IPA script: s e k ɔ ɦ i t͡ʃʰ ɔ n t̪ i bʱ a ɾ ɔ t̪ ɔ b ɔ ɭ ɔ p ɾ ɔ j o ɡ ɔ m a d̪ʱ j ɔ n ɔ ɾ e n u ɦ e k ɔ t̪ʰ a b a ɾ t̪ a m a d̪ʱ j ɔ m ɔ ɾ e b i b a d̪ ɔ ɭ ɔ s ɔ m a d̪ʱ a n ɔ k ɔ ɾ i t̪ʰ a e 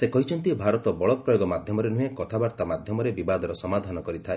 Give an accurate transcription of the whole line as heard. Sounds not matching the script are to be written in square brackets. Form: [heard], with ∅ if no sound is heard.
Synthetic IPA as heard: s e k ɔ ɦ i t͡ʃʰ ɔ n t̪ i bʱ a ɾ ɔ t̪ ɔ b ɔ ɭ ɔ p ɾ ɔ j o ɡ ɔ m a d̪ʱ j ɔ [m] ɔ ɾ e n u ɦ e k ɔ t̪ʰ a b a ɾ t̪ a m a d̪ʱ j ɔ m ɔ ɾ e b i b a d̪ ɔ [ɾ] ɔ s ɔ m a d̪ʱ a n ɔ k ɔ ɾ i t̪ʰ a e

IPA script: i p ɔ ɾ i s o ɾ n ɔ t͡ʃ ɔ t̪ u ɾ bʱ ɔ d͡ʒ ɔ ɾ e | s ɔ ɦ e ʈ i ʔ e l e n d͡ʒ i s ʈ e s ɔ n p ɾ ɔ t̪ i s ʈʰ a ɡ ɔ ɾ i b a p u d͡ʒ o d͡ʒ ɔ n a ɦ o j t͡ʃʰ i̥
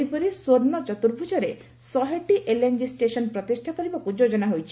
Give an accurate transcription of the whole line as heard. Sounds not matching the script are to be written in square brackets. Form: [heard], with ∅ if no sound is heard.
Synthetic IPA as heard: i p ɔ ɾ i s o ɾ n ɔ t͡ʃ ɔ t̪ u ɾ bʱ [u] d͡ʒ ɔ ɾ e | s ɔ ɦ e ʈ i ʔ e l e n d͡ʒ i s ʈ e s ɔ n p ɾ ɔ t̪ i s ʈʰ a [k] ɔ ɾ i b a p u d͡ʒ o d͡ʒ ɔ n a ɦ o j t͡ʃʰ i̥

